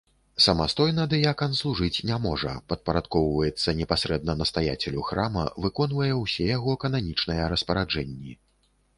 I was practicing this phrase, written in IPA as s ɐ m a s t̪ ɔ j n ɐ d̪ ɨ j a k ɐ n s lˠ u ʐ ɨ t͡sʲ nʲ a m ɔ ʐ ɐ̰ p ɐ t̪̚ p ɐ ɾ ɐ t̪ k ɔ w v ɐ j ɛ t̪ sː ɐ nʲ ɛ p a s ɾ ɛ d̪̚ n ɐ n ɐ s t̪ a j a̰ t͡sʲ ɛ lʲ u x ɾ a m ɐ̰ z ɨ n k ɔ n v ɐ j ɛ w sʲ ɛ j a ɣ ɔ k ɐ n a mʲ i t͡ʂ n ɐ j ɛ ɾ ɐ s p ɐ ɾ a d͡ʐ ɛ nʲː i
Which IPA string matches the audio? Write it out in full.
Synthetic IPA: s ɐ m a s t̪ ɔ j n ɐ d̪ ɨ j a k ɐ n s lˠ u ʐ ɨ t͡sʲ nʲ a m ɔ ʐ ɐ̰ p ɐ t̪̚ p ɐ ɾ a t̪ k ɔ w v ɐ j ɛ t̪ sː ɐ nʲ ɛ p a s ɾ ɛ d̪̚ n ɐ n ɐ s t̪ a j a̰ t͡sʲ ɛ lʲ u x ɾ a m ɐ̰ v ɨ k ɔ n v ɐ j ɛ w sʲ ɛ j a ɣ ɔ k ɐ n a mʲ i t͡ʂ n ɐ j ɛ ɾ ɐ s p ɐ ɾ a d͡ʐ ɛ nʲː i